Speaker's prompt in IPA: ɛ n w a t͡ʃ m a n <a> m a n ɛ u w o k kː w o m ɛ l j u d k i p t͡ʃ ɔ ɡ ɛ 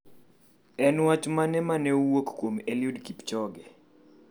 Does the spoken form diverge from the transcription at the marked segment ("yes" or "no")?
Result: yes